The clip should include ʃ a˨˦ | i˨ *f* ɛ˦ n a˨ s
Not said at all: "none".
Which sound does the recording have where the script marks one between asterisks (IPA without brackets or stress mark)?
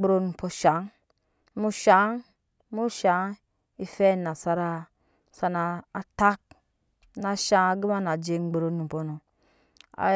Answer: f